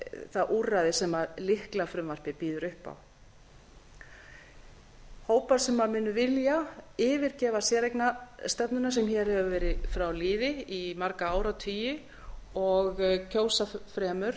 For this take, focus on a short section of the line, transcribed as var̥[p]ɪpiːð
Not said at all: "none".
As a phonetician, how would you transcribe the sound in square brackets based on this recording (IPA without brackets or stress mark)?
p